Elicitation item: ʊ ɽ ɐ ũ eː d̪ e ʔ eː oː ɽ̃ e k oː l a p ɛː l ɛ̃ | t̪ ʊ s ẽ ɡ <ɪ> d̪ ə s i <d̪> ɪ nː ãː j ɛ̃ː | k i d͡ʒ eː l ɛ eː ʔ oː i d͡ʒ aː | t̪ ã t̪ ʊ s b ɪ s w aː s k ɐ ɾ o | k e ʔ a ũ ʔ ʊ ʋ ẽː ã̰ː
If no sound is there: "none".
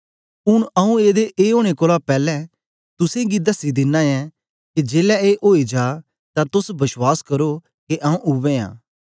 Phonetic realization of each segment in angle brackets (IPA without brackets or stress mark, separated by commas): i, d̪